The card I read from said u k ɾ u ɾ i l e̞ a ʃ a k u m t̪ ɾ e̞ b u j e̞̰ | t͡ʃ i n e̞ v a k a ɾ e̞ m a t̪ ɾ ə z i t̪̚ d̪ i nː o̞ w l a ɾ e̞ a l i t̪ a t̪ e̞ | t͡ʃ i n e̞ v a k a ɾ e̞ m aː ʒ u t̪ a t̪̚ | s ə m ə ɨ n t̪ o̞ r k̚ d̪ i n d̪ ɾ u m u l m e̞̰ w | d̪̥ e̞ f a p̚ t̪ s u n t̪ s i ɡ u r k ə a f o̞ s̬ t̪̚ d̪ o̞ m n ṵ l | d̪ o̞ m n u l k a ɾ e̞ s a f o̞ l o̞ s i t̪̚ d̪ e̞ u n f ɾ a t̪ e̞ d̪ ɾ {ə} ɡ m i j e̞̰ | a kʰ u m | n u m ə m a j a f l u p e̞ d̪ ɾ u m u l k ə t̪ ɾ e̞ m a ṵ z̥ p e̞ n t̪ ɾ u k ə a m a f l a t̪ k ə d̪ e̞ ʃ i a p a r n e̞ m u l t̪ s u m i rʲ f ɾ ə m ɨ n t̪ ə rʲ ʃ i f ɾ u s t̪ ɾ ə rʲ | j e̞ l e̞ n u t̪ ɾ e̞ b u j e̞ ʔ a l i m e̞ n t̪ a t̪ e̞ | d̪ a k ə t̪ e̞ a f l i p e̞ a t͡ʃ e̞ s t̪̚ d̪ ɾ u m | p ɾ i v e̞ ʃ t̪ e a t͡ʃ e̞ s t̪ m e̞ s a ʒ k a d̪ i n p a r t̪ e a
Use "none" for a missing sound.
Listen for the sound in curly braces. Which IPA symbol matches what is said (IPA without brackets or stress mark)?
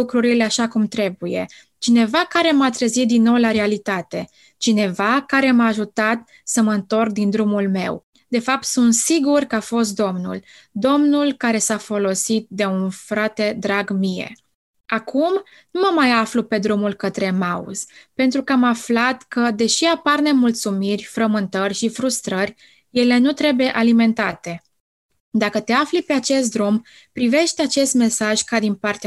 a